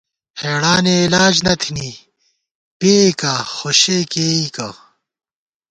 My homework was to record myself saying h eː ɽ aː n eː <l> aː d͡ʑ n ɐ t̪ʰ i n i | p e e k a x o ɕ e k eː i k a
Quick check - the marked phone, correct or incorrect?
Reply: correct